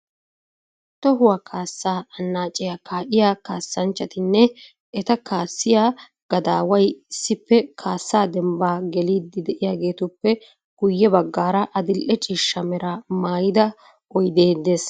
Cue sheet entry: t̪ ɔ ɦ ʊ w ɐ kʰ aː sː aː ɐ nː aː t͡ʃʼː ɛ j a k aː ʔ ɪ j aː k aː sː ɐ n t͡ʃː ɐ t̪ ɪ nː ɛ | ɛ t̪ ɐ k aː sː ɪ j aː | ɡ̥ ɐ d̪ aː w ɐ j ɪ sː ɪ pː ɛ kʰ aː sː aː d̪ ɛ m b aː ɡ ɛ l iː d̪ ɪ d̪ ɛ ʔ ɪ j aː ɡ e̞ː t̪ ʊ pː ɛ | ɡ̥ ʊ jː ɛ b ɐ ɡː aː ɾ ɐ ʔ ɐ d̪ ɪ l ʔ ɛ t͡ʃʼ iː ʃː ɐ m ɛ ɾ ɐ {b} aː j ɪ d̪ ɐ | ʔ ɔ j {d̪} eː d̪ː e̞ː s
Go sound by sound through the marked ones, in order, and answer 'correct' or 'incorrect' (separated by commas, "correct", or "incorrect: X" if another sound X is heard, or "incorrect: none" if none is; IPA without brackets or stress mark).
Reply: incorrect: m, correct